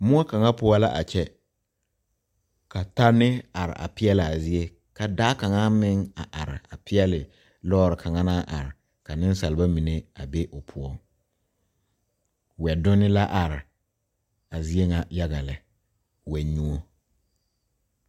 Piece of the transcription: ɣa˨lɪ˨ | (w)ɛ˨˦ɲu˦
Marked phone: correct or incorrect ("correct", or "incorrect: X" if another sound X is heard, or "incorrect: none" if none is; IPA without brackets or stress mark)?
correct